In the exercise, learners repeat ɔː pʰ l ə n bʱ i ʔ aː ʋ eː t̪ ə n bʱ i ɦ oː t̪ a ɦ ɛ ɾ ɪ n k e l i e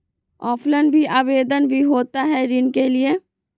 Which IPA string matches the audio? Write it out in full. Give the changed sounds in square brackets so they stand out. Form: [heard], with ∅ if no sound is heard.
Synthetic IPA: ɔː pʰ l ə n bʱ i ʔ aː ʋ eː [d̪] ə n bʱ i ɦ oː t̪ a ɦ ɛ ɾ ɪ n k e l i e